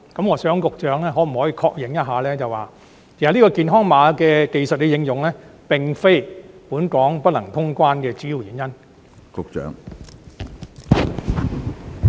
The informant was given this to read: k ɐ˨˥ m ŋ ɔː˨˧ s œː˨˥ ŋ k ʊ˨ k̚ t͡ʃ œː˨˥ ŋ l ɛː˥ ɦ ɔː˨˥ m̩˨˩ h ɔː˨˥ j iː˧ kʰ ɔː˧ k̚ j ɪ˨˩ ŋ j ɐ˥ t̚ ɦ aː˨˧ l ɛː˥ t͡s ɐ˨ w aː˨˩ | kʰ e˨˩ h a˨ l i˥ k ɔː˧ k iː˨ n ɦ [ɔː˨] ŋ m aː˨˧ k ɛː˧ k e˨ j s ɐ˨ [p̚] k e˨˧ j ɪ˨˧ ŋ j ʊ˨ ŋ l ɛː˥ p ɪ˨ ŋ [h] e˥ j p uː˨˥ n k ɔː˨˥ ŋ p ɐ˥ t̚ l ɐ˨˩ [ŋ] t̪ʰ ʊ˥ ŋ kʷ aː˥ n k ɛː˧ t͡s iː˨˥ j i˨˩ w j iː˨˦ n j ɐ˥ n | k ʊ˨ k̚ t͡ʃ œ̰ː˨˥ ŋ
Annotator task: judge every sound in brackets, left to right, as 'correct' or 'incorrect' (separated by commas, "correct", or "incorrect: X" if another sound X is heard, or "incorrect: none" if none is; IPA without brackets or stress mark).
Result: incorrect: ɔː˥, incorrect: t̚, incorrect: f, correct